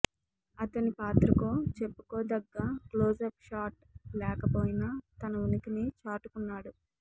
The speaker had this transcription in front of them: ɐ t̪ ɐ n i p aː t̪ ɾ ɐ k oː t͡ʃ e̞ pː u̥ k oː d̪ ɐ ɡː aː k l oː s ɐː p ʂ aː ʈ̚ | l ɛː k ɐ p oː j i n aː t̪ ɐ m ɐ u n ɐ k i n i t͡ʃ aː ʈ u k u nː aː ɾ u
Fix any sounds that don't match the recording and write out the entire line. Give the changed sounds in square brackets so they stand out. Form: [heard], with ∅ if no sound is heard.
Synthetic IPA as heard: ɐ t̪ ɐ n i p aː t̪ ɾ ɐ k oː t͡ʃ e̞ pː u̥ k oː d̪ ɐ ɡː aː k l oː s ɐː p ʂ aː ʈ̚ | l ɛː k ɐ p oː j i n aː t̪ ɐ [n] ɐ u n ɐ k i n i t͡ʃ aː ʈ u k u nː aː [ɽ] u